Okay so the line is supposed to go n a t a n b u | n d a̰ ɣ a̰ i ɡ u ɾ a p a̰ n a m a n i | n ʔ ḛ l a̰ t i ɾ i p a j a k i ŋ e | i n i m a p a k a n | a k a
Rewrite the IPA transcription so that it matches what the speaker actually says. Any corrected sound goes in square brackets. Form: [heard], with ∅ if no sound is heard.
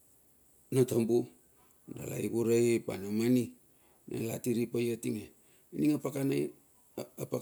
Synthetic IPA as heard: n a t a [m] b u | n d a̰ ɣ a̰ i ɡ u ɾ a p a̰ n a m a n i | n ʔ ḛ l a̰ t i ɾ i p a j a [t] i ŋ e | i n i [ŋ] a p a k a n | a [p] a